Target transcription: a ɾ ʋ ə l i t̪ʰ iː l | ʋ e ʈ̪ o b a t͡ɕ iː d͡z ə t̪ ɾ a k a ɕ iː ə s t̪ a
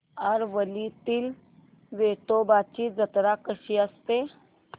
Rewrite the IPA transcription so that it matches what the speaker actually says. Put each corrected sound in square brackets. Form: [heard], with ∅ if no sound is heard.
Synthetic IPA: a ɾ ʋ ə l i [t̪] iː l | ʋ e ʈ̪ o b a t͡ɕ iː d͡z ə t̪ ɾ a k [ə] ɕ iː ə s t̪ [e]